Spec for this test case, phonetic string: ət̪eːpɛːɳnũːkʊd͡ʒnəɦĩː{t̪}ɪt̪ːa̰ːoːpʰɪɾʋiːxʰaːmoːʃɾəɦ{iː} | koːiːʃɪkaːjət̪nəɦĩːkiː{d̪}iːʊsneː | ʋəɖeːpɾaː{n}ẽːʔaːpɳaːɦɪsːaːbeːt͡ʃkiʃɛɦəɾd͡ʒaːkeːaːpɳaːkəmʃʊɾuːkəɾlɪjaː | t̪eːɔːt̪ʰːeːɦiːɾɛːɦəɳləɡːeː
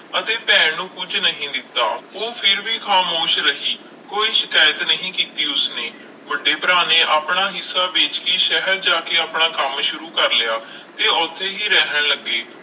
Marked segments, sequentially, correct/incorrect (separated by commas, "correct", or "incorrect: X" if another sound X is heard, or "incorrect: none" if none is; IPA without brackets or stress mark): incorrect: d̪, correct, incorrect: t̪, correct